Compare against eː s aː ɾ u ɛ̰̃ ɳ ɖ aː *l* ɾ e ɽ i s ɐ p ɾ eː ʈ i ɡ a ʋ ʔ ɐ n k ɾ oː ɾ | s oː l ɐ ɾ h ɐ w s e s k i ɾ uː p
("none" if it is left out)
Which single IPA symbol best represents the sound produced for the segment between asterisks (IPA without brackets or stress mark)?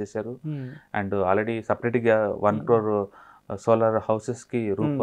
l